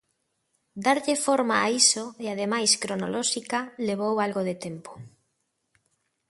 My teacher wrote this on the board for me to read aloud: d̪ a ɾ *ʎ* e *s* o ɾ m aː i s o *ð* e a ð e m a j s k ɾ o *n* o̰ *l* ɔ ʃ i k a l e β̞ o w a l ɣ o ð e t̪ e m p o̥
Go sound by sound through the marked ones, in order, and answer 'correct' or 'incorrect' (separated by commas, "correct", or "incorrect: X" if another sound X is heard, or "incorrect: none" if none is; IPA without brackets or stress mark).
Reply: correct, incorrect: f, incorrect: none, correct, correct